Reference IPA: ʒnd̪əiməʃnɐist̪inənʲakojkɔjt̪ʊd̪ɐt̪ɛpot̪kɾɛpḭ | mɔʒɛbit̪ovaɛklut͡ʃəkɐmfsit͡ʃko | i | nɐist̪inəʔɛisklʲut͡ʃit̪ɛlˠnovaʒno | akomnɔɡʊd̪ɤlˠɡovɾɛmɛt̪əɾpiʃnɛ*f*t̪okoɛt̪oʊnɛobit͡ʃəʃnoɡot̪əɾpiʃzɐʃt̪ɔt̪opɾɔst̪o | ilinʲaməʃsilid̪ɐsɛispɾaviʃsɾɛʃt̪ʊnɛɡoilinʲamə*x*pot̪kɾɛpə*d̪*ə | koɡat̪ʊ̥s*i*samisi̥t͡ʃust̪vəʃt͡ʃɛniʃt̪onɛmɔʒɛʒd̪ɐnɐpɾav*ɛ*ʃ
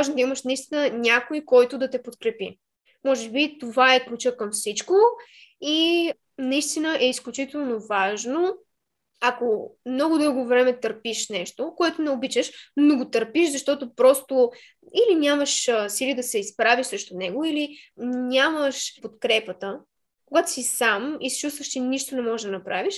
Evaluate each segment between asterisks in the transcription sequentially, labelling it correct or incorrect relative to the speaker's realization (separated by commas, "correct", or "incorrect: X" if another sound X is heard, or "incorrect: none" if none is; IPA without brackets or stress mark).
incorrect: ʃ, incorrect: ʃ, incorrect: t̪, correct, incorrect: i